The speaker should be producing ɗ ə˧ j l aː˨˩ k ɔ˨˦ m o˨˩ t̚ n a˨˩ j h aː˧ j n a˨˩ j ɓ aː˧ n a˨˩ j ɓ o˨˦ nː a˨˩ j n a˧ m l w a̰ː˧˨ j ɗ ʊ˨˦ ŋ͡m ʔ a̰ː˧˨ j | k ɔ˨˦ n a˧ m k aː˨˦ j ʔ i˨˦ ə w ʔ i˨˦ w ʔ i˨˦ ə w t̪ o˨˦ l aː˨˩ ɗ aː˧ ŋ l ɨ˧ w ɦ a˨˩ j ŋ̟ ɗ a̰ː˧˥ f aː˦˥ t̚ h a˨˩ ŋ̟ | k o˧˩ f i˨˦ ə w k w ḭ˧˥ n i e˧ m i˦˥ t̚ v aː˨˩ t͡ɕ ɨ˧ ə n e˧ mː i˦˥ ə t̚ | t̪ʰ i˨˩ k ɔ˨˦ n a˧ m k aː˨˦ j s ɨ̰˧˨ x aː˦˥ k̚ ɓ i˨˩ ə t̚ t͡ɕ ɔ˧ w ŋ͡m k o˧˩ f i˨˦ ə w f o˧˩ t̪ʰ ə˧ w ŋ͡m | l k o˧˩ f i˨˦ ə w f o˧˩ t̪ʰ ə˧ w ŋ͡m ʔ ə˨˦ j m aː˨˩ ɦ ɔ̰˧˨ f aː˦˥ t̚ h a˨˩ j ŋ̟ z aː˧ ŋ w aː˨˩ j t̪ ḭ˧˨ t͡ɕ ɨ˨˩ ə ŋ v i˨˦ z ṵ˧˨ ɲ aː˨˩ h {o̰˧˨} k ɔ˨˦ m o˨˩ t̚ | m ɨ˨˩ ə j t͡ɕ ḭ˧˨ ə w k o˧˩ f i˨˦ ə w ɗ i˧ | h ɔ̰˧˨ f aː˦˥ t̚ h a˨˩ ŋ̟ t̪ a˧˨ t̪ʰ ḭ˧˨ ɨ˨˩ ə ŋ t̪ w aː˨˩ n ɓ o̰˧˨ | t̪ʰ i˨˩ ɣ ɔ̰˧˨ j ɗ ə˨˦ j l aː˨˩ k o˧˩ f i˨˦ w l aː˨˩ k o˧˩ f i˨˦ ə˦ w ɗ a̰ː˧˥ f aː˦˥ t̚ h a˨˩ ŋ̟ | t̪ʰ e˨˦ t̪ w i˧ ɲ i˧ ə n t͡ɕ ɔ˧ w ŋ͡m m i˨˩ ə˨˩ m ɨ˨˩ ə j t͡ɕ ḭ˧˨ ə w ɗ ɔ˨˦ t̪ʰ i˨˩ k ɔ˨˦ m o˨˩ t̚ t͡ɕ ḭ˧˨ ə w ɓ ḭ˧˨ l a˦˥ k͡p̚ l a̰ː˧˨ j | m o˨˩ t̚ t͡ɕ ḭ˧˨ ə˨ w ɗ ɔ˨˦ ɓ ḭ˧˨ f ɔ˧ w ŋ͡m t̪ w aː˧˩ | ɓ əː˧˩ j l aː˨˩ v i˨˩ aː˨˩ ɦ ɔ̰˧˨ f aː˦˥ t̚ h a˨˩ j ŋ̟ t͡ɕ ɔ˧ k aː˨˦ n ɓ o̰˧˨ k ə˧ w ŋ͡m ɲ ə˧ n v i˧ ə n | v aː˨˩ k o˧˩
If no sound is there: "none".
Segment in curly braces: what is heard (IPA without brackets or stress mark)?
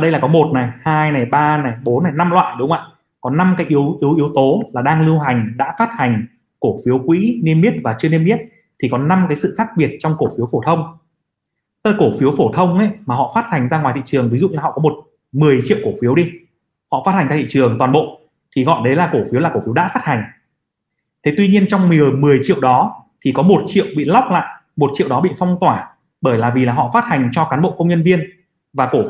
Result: ɔ̰˧˨